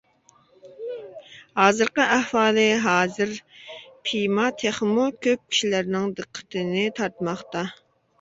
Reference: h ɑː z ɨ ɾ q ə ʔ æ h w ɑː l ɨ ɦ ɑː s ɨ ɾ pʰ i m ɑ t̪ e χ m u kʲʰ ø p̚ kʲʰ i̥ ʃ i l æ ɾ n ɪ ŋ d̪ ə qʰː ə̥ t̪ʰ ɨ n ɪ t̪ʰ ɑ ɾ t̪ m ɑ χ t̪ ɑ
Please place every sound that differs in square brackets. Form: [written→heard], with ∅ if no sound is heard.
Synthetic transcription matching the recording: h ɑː z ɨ ɾ q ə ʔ æ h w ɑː l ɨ ɦ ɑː [s→z] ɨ ɾ pʰ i m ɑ [t̪→t̪ʰ] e χ m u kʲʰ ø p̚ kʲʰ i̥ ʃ i l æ ɾ n ɪ ŋ d̪ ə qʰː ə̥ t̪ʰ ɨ n ɪ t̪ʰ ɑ ɾ t̪ m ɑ χ t̪ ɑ